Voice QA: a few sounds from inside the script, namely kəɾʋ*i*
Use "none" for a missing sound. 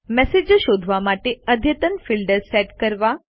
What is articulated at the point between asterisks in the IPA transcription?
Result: a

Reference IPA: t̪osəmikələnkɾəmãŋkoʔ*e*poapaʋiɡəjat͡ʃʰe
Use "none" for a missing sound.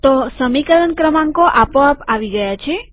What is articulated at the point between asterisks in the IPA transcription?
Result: a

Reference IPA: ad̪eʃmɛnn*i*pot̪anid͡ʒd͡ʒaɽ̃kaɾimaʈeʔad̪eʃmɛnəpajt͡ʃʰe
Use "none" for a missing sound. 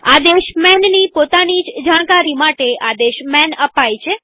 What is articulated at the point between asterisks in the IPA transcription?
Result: i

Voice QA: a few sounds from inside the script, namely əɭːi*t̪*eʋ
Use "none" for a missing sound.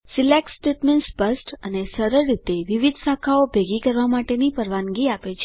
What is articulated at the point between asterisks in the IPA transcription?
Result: t̪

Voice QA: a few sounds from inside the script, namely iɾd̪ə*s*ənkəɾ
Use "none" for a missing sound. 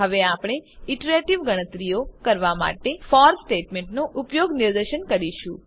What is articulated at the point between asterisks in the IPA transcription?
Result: ʃ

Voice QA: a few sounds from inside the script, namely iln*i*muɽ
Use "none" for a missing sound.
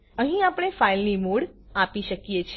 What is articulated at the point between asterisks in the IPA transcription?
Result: i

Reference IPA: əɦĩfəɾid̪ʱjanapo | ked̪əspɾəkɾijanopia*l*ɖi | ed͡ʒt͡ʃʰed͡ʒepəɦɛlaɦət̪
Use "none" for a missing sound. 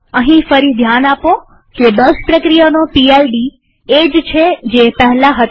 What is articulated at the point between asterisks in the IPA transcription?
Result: l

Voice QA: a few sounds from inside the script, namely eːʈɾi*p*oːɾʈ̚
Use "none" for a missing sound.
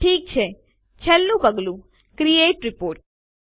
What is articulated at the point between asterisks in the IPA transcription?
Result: p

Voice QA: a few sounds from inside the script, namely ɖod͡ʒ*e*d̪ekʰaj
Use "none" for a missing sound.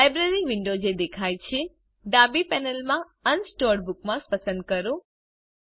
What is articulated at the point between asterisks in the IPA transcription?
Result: e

